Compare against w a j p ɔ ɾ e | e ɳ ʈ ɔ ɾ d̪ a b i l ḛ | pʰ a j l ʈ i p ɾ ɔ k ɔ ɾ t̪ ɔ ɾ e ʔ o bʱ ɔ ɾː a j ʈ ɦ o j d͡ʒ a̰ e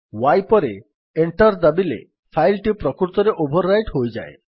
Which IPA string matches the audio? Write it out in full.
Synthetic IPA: w a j p ɔ ɾ e | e ɳ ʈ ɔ ɾ d̪ a b i l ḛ | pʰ a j l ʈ i p ɾ ɔ k u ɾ t̪ ɔ ɾ e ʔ o bʱ ɔ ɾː a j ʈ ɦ o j d͡ʒ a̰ e